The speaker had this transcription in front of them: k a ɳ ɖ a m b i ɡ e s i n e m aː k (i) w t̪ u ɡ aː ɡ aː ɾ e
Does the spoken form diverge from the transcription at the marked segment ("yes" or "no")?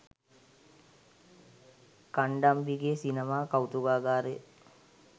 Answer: yes